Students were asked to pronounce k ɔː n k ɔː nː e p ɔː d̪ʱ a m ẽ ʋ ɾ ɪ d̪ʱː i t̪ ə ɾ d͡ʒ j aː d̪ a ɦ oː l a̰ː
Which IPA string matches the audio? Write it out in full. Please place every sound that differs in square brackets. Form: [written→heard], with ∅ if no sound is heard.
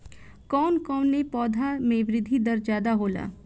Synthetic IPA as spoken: k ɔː n k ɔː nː e p ɔː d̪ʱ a m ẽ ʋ ɾ ɪ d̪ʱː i [t̪→d̪] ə ɾ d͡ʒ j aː d̪ a ɦ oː l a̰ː